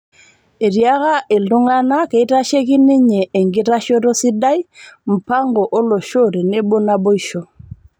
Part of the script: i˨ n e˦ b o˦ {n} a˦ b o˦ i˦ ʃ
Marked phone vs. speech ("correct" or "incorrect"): correct